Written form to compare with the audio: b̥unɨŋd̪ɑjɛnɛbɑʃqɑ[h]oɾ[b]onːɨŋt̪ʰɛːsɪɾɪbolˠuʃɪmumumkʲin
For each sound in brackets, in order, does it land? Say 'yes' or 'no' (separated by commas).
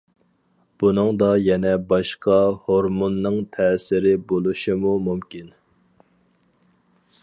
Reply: yes, no